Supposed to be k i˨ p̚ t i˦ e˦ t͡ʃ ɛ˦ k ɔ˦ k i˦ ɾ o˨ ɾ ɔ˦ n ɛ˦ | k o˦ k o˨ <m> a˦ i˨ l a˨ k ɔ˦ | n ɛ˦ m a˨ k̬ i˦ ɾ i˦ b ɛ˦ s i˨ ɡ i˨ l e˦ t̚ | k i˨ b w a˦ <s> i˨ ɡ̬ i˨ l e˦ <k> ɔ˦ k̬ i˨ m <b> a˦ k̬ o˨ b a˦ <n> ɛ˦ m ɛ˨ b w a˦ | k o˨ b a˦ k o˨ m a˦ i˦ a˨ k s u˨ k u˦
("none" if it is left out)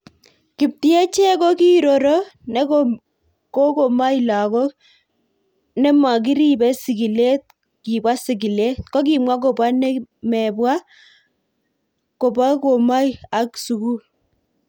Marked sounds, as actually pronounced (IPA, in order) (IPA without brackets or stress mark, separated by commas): m, s, k, w, n